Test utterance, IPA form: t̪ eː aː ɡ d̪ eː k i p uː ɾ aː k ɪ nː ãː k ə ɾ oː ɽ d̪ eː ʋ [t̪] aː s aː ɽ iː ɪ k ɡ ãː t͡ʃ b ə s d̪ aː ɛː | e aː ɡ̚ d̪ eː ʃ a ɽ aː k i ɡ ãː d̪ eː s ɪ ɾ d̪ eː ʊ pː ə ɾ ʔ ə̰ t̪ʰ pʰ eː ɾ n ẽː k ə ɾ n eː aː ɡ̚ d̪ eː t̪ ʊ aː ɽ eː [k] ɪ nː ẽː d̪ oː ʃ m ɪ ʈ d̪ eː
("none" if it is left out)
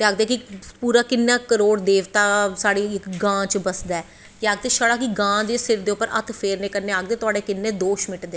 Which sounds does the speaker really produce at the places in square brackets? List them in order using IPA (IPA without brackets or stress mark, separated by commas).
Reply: t̪, k